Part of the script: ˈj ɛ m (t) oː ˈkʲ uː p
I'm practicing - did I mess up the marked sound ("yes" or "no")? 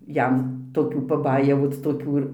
no